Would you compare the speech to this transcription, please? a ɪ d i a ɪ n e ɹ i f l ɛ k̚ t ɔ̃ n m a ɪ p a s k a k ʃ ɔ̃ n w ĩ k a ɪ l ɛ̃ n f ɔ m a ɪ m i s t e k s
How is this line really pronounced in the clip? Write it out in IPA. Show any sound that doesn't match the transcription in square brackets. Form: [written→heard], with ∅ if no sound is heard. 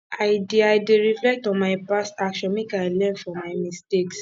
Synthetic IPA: a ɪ d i a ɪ [n→d] e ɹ i f l ɛ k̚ t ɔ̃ n m a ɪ p a s [k→t] a k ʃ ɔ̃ n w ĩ k a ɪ l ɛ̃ n f ɔ m a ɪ m i s t e k s